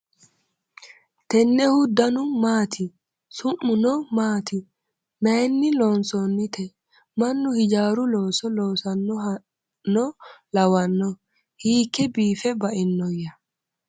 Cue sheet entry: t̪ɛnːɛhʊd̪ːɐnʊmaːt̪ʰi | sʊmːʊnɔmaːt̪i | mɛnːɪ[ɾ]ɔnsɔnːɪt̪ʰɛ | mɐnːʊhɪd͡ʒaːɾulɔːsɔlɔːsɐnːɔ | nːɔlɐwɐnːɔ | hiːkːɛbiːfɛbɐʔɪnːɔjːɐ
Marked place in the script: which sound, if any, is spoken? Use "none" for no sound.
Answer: l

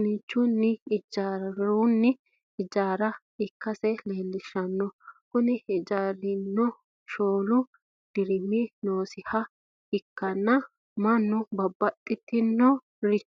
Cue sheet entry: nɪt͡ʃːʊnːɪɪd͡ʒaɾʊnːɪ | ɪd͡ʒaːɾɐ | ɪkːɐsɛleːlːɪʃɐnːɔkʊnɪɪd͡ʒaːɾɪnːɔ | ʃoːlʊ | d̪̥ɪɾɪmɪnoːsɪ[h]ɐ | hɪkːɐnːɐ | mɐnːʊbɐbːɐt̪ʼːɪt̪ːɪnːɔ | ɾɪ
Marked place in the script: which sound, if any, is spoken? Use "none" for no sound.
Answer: h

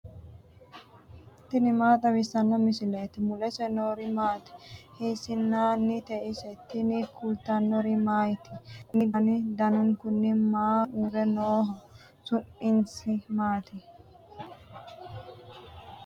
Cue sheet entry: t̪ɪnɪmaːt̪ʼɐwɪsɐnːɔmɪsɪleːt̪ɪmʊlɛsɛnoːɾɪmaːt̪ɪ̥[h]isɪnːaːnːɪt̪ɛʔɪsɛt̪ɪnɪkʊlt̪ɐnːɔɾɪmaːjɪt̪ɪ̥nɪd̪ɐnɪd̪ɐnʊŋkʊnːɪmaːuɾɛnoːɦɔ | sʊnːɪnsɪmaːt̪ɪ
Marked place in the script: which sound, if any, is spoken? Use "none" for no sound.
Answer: h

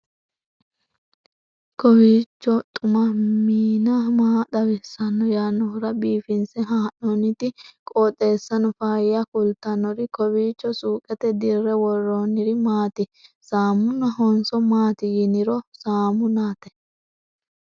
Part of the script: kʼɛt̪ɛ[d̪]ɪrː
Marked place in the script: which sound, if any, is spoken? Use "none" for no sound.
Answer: d̪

